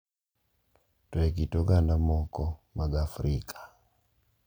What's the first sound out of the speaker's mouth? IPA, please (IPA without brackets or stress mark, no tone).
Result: t